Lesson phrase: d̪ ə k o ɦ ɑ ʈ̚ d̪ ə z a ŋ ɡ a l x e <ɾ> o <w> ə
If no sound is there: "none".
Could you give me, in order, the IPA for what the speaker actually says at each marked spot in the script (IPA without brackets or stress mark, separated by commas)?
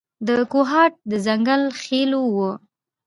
l, w